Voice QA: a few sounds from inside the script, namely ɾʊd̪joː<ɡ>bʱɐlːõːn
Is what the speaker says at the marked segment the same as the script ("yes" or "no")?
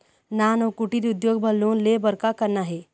yes